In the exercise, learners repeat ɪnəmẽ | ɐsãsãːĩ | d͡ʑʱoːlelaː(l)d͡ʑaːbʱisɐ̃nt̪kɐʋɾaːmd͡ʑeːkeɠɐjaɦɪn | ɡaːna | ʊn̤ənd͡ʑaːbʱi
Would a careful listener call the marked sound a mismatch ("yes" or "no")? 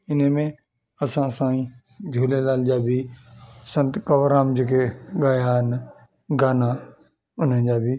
no